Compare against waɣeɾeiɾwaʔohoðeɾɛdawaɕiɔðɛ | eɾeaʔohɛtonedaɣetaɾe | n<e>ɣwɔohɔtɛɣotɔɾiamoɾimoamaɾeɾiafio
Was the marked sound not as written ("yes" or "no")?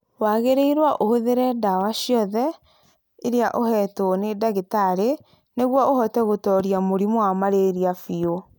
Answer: no